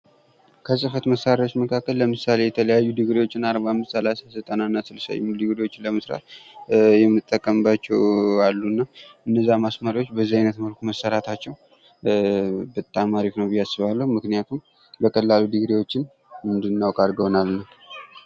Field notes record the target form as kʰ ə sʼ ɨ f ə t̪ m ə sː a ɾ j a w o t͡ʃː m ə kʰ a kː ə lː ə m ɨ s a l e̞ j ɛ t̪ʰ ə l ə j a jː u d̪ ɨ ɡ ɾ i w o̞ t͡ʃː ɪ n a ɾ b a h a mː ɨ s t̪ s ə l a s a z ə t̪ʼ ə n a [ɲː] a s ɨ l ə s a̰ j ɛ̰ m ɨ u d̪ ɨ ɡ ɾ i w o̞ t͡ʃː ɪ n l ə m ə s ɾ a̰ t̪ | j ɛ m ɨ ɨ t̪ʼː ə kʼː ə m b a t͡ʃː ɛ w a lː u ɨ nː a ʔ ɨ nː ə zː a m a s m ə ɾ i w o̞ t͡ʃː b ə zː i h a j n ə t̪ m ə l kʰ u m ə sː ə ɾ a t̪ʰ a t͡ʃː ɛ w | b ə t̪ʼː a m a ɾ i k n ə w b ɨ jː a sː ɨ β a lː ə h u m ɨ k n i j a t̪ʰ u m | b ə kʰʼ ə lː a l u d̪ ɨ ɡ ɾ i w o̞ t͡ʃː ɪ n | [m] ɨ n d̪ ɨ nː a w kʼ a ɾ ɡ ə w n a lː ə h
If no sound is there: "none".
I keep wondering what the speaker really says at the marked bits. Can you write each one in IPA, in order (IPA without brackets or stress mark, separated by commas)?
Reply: nː, m